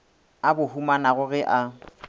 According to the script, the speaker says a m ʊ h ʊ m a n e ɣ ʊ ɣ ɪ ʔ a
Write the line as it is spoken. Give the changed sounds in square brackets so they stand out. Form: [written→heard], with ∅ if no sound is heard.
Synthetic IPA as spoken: a [m→b] ʊ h [ʊ→u] m a n [e→a] ɣ ʊ ɣ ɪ ʔ a